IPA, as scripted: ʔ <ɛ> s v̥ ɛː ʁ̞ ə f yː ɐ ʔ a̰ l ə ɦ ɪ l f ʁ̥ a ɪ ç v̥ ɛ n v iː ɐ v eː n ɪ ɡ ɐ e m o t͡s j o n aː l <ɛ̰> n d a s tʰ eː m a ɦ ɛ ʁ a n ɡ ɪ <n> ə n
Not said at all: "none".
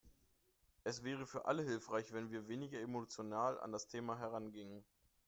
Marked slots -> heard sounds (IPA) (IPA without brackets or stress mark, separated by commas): ɛ, a̰, ŋ